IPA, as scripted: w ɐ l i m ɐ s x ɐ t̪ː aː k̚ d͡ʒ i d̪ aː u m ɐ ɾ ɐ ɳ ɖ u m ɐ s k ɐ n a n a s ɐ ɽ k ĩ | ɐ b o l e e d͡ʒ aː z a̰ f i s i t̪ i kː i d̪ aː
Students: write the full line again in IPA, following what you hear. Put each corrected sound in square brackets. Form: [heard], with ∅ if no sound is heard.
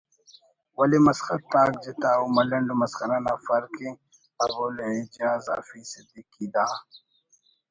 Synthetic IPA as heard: w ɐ l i m ɐ s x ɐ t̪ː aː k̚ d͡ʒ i [t̪] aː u m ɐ [l] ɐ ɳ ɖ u m ɐ s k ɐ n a n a [f] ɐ [ɾ] k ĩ | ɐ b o l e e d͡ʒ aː z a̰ f i s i [d̪] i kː i d̪ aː